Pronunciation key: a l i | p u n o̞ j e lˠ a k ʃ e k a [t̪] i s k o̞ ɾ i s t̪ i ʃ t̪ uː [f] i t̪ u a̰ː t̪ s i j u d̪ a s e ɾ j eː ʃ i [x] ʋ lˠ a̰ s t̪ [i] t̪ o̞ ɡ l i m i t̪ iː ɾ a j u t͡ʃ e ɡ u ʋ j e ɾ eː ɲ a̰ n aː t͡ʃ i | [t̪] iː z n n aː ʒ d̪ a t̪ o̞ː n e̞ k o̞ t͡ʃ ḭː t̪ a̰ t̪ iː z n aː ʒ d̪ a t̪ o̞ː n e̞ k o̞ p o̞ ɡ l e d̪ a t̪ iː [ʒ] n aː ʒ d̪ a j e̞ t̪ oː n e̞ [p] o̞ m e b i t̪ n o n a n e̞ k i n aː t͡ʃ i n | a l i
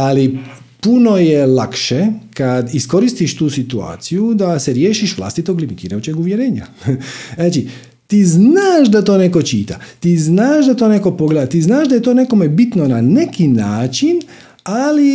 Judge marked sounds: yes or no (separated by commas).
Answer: no, no, no, yes, yes, no, no